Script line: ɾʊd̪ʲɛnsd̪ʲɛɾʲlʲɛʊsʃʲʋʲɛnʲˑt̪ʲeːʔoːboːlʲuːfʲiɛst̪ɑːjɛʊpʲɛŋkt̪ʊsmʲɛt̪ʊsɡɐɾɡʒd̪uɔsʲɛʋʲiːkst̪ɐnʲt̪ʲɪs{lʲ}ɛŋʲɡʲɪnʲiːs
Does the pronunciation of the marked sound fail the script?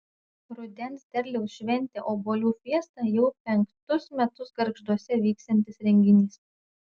yes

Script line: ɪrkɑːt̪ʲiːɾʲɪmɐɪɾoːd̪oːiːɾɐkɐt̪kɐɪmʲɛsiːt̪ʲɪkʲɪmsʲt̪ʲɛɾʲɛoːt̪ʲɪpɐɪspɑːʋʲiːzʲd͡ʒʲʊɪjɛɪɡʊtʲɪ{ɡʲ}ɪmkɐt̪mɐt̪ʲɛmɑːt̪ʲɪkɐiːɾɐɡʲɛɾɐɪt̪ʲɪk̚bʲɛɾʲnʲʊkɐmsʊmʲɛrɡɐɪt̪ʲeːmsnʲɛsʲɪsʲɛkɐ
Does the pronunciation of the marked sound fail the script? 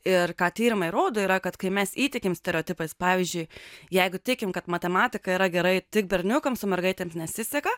yes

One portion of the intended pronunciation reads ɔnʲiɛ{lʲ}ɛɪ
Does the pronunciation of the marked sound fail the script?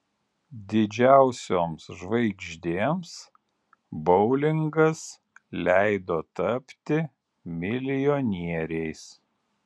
yes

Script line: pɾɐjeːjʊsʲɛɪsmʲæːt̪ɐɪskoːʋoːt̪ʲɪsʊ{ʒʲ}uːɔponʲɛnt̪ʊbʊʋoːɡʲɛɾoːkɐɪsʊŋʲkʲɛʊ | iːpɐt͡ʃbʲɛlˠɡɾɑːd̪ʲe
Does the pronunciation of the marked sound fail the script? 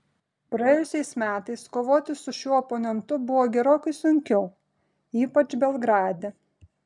yes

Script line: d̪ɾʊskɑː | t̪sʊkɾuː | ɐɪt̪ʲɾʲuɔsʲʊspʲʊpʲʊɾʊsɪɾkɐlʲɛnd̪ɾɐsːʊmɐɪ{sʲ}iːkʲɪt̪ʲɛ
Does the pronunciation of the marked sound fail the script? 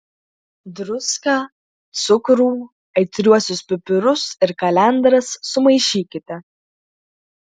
yes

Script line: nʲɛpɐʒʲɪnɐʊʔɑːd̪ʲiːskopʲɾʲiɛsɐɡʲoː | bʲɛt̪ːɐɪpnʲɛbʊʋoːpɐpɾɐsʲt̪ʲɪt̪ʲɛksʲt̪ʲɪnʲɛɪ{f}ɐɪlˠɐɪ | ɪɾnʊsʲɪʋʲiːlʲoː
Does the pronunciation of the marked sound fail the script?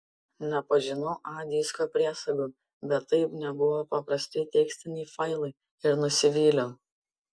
no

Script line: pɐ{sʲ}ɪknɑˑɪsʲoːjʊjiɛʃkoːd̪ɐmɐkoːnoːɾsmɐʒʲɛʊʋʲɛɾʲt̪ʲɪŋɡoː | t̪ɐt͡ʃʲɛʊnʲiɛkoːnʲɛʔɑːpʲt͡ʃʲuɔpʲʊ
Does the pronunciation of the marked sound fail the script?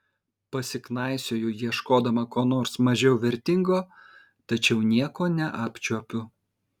no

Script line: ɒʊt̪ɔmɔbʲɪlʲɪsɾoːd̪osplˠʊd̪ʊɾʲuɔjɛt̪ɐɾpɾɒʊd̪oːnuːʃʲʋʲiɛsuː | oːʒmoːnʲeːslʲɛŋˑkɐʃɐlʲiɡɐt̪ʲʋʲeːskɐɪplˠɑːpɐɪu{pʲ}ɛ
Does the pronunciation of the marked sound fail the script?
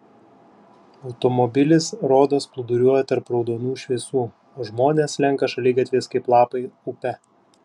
no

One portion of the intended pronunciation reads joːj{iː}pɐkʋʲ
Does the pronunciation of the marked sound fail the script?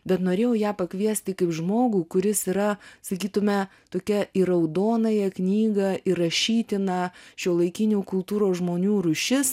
yes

